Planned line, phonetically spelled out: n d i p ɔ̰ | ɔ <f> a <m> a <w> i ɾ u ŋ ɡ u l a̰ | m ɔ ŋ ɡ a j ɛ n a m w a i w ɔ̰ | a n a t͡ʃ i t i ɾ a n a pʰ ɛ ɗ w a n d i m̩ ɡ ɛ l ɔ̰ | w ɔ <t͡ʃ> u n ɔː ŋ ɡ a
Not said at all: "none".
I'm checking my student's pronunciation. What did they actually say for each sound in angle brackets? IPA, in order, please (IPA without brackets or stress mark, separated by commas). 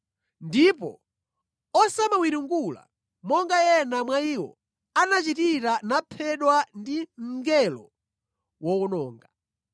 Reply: s, m, w, none